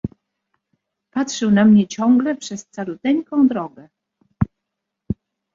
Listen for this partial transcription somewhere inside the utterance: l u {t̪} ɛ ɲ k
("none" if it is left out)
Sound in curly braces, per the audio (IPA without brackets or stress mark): t̪